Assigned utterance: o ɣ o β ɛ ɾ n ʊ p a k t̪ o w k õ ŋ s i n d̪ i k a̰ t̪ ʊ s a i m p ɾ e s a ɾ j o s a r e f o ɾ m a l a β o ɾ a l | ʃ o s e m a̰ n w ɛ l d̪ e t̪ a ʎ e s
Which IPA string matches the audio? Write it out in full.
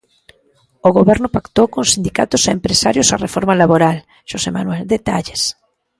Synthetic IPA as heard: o ɣ o β ɛ ɾ n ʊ p a k t̪ o w k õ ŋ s i n d̪ i k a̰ t̪ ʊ s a e m p ɾ e s a ɾ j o s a r e f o ɾ m a l a β o ɾ a l | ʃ o s e m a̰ n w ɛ l d̪ e t̪ a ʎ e s